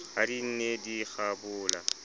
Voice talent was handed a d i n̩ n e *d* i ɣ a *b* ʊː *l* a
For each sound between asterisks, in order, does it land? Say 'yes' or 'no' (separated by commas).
yes, yes, yes